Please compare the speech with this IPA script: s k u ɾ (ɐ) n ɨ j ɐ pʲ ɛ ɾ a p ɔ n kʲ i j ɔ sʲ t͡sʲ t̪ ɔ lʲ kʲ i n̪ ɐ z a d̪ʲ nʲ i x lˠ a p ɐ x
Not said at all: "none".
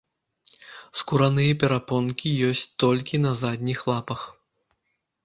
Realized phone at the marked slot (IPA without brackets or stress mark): a